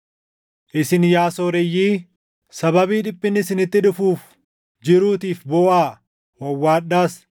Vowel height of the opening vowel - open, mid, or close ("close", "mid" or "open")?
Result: close